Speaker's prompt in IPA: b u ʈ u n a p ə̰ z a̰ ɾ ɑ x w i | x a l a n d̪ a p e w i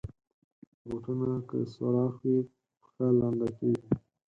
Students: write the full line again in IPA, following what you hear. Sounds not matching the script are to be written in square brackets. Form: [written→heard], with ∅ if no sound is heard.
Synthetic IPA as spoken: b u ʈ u n a [p→k] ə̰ [z→s] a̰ ɾ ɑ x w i | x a l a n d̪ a [p→k] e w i